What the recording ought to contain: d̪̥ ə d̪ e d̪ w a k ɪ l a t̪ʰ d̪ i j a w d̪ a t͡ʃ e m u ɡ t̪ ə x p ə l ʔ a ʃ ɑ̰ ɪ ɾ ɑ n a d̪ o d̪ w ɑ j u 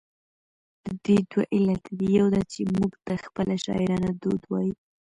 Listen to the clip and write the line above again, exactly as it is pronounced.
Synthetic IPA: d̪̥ ə d̪ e d̪ w a ʔ ɪ l a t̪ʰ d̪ i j a w d̪ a t͡ʃ e m u ɡ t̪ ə x p ə l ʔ a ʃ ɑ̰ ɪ ɾ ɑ n a d̪ o d̪ w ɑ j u